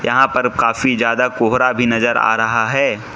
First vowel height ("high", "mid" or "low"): low